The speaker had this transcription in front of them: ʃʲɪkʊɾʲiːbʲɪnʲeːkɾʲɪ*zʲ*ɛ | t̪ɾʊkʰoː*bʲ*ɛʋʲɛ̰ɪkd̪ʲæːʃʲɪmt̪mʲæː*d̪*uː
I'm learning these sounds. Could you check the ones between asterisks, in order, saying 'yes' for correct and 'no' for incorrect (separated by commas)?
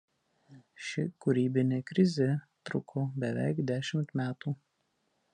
yes, yes, no